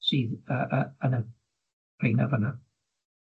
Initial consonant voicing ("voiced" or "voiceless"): voiceless